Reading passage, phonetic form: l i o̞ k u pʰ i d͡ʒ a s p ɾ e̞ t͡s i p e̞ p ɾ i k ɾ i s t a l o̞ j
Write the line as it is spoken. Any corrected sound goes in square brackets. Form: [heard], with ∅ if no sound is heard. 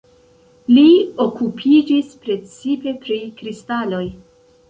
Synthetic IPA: l i o̞ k u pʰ i d͡ʒ [i] s p ɾ e̞ t͡s i p e̞ p ɾ i k ɾ i s t a l o̞ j

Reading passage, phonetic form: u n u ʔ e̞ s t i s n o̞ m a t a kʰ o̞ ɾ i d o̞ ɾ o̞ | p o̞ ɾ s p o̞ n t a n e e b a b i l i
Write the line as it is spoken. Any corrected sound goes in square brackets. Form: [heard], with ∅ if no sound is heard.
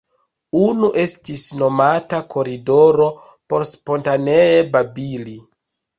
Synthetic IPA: u n u ʔ e̞ s t i s n o̞ m a t a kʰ o̞ ɾ i d o̞ ɾ o̞ | p o̞ ɾ s p o̞ n t a n e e b a b i l i

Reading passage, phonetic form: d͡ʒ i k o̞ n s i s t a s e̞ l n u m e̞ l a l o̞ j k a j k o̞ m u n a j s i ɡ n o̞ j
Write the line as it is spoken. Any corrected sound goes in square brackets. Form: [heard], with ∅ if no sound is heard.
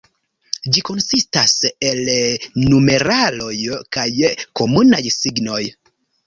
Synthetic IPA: d͡ʒ i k o̞ n s i s t a s e̞ l n u m e̞ [ɾ] a l o̞ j k a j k o̞ m u n a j s i ɡ n o̞ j

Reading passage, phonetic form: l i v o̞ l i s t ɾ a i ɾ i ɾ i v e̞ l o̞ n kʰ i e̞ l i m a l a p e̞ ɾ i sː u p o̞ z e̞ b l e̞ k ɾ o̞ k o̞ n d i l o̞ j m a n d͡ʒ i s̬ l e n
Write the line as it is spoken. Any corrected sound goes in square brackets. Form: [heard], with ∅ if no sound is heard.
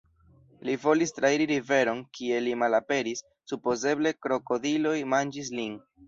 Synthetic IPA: l i v o̞ l i s t ɾ a i ɾ i ɾ i v e̞ [ɾ] o̞ n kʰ i e̞ l i m a l a p e̞ ɾ i sː u p o̞ z e̞ b l e̞ k ɾ o̞ k o̞ [∅] d i l o̞ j m a n d͡ʒ i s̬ l [i] n

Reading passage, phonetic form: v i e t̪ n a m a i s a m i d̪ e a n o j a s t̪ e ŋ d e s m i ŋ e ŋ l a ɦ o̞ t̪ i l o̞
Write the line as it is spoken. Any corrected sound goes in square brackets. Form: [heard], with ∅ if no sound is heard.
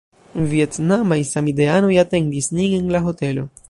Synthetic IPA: v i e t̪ n a m a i s a m i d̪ e a n o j a [∅] t̪ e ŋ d [i] s [n] i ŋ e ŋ l a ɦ o̞ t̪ [e] l o̞

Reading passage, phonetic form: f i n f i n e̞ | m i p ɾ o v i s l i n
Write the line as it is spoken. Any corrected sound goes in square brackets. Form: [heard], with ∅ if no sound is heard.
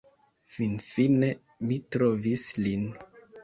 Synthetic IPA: f i n f i n e̞ | m i [t] ɾ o v i s l i n

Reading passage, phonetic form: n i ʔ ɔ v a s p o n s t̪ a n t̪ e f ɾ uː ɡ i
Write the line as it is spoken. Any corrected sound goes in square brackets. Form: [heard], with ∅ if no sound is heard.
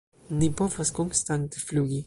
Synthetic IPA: n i [p] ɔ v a s [k] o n s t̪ a n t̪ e f [l] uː ɡ i

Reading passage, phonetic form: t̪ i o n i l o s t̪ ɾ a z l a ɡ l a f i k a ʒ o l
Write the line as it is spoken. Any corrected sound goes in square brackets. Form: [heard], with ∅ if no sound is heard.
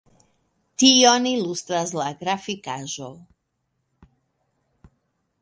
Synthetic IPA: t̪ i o n i l [u] s t̪ ɾ a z l a ɡ [ɾ] a f i k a ʒ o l

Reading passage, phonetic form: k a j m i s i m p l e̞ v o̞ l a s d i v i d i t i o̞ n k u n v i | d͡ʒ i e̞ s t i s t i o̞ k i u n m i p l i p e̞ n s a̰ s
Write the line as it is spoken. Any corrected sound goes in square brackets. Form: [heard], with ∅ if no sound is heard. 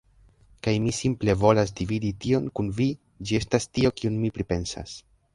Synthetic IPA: k a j m i s i m p l e̞ v o̞ l a s d i v i d i t i o̞ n k u n v i | d͡ʒ i e̞ s t [a] s t i o̞ k i u n m i p [ɾ] i p e̞ n s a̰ s

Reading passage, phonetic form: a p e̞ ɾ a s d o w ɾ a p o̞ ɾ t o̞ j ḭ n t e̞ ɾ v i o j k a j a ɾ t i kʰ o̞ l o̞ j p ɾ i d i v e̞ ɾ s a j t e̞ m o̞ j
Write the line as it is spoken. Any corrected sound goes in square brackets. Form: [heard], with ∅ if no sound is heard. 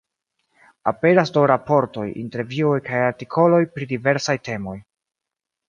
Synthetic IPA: a p e̞ ɾ a s d o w ɾ a p o̞ ɾ t o̞ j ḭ n t e̞ ɾ v i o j k a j a ɾ t i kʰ o̞ l o̞ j p ɾ i d i v e̞ ɾ s a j t e̞ m o̞ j

